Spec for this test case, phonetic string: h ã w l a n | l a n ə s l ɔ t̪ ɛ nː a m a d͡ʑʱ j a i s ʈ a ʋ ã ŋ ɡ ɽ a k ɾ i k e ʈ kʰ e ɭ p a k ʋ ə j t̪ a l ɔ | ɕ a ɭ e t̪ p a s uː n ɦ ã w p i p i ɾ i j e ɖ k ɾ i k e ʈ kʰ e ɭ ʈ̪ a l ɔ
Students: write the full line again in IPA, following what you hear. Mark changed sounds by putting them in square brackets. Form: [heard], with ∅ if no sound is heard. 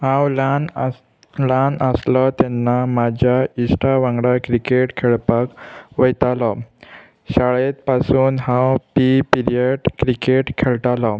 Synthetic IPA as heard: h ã w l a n | l a n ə s l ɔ t̪ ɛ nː a m a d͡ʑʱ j a i s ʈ a ʋ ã ŋ ɡ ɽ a k ɾ i k e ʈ kʰ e ɭ p a k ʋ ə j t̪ a l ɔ | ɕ a ɭ e t̪ p a s uː n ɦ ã w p i p i ɾ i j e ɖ k ɾ i k e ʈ kʰ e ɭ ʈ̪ a l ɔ

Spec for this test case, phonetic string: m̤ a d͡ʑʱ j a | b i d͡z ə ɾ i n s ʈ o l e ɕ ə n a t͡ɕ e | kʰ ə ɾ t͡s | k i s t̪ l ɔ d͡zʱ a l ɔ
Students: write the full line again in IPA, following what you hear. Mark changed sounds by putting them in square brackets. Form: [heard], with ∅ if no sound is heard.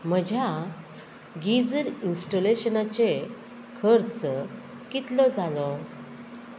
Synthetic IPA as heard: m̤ [ə] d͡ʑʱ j a | [ɡ] i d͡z ə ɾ i n s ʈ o l e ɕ ə n a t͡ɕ e | kʰ ə ɾ t͡s | k i [∅] t̪ l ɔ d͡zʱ a l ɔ

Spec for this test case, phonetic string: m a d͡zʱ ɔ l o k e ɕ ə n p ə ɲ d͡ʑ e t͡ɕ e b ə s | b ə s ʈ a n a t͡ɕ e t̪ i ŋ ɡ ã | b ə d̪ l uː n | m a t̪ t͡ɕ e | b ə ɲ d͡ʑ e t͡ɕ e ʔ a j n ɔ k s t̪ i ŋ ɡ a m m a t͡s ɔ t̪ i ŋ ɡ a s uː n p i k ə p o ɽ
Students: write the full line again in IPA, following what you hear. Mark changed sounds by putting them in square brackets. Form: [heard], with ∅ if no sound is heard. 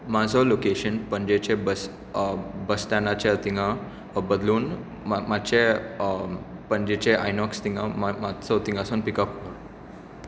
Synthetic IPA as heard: m a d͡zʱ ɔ l o k e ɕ ə n p ə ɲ d͡ʑ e t͡ɕ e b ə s | b ə s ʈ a n a t͡ɕ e t̪ i ŋ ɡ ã | b ə d̪ l uː n | m a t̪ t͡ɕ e | [p] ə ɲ d͡ʑ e t͡ɕ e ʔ a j n ɔ k s t̪ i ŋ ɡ a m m a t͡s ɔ t̪ i ŋ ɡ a s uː n p i k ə p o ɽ

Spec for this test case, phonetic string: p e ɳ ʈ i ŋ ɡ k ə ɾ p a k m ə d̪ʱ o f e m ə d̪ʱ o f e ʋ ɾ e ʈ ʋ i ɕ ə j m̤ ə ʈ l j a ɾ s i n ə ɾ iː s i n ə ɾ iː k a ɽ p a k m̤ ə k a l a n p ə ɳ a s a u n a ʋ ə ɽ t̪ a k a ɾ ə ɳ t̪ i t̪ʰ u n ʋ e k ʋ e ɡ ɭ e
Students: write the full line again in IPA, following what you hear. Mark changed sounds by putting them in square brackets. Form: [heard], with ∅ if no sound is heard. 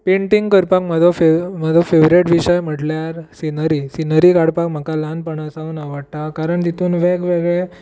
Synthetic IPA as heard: p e ɳ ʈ i ŋ ɡ k ə ɾ p a k m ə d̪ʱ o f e m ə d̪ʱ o f e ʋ ɾ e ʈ ʋ i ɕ ə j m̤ ə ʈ l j a ɾ s i n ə ɾ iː s i n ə ɾ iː k a ɽ p a k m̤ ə k a l a n p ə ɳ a s a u n a ʋ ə ɽ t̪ a k a ɾ ə ɳ t̪ i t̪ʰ [uː] n ʋ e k ʋ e ɡ ɭ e

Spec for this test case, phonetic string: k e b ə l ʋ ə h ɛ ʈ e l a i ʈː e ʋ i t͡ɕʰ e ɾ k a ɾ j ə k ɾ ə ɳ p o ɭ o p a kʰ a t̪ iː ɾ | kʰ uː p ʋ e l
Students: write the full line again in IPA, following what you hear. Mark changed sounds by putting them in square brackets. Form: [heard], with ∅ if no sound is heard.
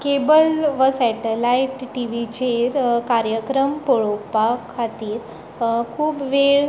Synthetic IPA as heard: k e b ə l ʋ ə [s] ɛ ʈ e l a i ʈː [i] ʋ i [t͡ɕ] e ɾ k a ɾ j ə k ɾ ə [m] p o ɭ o p a kʰ a t̪ iː ɾ | kʰ uː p ʋ e [ɭ]

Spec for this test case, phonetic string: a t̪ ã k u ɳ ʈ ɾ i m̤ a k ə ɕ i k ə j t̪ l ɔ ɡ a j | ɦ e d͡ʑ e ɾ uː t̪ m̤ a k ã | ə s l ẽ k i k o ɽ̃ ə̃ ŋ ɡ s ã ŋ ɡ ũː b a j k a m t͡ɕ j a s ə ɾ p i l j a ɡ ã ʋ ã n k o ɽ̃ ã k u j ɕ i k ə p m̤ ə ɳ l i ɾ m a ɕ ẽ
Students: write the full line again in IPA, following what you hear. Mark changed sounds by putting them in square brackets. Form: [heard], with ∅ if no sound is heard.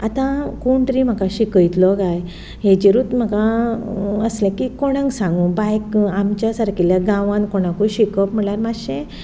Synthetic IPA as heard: a t̪ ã k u ɳ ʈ ɾ i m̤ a k [a] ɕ i k ə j t̪ l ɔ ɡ a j | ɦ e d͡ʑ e ɾ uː t̪ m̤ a k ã | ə s l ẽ k i k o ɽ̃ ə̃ ŋ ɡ s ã ŋ ɡ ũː b a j k a m t͡ɕ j a s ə ɾ [k] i l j a ɡ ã ʋ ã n k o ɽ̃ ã k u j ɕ i k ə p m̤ ə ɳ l [a] ɾ m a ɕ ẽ

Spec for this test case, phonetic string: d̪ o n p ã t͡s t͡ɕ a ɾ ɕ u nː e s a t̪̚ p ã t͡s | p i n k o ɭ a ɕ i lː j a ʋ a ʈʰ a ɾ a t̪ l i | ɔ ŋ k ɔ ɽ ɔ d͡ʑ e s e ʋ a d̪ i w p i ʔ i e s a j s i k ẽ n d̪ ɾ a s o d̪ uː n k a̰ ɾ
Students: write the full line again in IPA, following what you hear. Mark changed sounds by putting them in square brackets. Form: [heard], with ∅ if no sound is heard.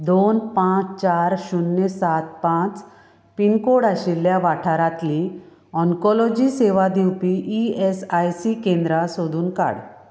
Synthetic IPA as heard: d̪ o n p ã t͡s t͡ɕ a ɾ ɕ u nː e s a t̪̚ p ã t͡s | p i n k o [ɽ] a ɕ i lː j a ʋ a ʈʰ a ɾ a t̪ l i | ɔ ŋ k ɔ [l] ɔ d͡ʑ [i] s e ʋ a d̪ i w p i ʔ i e s a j s i k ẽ n d̪ ɾ a s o d̪ uː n k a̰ [ɽ]

